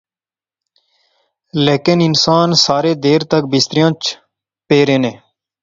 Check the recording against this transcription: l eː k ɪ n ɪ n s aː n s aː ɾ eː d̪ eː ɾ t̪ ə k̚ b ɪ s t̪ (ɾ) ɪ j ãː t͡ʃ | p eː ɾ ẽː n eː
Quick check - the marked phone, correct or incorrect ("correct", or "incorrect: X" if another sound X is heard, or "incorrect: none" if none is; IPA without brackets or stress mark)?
correct